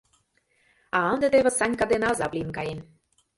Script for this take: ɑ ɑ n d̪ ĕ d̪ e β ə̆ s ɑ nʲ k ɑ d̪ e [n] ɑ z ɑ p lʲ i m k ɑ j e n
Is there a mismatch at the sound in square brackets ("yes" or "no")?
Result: no